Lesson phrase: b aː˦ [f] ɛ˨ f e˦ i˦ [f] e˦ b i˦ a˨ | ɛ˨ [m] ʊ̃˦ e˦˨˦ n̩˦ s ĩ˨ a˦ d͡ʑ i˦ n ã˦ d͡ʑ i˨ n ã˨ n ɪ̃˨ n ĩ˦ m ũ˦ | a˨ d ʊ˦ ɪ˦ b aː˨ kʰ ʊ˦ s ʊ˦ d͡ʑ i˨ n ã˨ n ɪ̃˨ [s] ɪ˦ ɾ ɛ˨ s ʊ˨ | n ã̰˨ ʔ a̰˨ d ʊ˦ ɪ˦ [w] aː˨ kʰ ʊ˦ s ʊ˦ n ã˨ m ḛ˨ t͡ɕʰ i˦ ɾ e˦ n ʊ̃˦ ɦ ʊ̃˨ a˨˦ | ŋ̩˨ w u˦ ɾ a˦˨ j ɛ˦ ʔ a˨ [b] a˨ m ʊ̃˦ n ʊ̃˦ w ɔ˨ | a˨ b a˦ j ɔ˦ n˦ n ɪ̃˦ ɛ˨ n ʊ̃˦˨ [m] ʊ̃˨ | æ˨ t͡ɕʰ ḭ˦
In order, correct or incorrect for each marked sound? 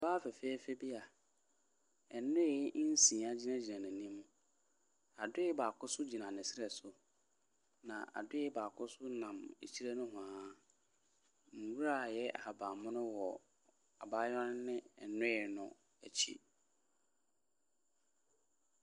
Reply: correct, correct, incorrect: n, correct, incorrect: b, correct, incorrect: n

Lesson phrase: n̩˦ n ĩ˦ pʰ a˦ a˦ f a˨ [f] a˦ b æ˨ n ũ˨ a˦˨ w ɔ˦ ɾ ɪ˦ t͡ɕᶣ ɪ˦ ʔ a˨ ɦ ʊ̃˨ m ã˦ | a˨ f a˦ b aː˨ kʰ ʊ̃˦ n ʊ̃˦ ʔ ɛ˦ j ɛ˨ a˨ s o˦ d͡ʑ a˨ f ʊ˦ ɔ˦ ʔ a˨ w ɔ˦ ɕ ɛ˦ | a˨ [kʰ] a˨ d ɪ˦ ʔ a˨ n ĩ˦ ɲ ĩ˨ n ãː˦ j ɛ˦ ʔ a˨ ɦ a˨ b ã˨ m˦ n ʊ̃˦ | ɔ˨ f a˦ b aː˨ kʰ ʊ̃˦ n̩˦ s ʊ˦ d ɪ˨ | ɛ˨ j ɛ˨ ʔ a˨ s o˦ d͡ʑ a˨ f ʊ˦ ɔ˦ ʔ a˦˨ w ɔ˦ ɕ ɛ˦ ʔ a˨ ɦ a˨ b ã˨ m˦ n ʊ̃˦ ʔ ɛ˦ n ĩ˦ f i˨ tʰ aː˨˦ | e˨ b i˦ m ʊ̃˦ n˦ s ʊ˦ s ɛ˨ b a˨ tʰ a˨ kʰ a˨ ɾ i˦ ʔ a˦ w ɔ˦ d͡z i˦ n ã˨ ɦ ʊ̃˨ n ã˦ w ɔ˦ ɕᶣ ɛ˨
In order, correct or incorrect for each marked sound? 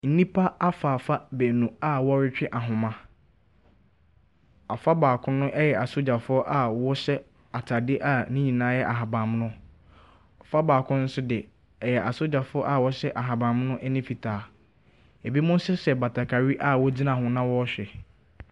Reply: correct, incorrect: tʰ

